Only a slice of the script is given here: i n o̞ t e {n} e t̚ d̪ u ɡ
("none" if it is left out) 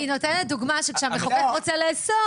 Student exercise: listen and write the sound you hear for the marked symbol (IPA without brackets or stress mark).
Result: n